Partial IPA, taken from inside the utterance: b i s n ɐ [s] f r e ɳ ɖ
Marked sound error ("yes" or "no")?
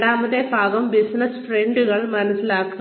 no